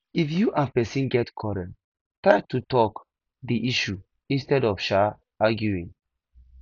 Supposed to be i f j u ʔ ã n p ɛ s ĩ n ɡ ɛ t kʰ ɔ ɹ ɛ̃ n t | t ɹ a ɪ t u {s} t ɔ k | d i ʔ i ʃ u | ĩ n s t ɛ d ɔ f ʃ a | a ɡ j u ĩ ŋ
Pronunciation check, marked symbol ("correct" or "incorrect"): incorrect